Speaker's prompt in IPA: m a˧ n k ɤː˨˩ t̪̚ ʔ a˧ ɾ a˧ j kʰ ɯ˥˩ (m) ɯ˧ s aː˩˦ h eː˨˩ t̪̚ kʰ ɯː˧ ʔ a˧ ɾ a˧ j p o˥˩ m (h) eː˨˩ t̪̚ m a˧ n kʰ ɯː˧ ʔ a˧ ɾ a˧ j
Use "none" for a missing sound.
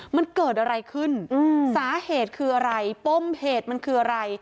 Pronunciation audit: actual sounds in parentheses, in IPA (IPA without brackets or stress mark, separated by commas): n, h